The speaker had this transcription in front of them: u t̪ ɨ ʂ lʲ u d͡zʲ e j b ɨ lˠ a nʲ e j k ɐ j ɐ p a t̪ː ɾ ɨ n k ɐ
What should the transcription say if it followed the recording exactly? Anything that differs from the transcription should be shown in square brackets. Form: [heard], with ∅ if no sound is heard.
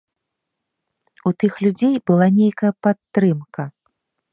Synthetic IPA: u t̪ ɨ [x] lʲ u d͡zʲ e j b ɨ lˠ a nʲ e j k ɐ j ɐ p a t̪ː ɾ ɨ [m] k ɐ